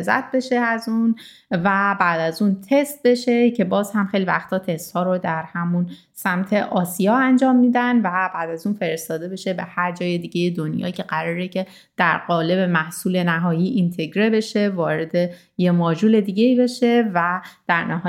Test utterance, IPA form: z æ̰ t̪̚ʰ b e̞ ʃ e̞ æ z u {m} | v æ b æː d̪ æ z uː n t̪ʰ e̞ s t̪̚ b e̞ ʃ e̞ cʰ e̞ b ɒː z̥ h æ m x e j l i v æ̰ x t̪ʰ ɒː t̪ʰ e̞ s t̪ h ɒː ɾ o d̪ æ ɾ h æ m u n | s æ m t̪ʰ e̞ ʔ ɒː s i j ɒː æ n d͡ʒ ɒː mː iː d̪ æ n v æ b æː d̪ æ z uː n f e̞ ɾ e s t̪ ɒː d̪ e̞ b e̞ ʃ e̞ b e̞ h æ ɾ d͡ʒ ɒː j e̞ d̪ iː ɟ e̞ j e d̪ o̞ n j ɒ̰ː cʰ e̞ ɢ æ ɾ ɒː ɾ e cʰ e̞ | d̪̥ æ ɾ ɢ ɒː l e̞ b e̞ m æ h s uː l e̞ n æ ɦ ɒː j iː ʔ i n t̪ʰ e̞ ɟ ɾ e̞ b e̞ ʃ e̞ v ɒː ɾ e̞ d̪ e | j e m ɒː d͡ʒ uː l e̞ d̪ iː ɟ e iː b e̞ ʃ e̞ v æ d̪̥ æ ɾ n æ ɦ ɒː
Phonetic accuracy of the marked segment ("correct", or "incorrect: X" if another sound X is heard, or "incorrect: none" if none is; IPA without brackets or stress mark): incorrect: n